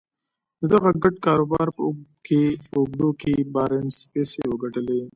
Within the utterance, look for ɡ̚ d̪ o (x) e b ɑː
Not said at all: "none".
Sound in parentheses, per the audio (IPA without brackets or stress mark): k